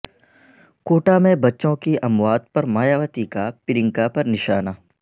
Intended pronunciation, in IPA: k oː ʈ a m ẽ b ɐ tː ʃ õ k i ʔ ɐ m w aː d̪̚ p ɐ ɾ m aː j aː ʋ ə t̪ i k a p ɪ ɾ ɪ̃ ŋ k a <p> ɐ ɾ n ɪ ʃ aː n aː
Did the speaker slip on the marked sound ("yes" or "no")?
no